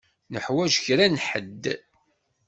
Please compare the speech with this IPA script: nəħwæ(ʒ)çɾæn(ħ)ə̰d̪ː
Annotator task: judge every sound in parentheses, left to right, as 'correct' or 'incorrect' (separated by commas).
correct, correct